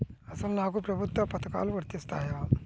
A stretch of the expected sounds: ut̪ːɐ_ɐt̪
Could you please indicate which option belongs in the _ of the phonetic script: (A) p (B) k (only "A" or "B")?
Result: A